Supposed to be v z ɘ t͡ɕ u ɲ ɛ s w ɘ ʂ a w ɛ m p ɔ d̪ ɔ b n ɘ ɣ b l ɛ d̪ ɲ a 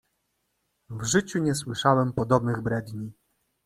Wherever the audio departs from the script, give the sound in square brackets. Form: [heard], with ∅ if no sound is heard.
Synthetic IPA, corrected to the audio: v [ʐ] ɘ t͡ɕ u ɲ ɛ s w ɘ ʂ a w ɛ m p ɔ d̪ ɔ b n ɘ ɣ b [ɾ] ɛ d̪ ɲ [i]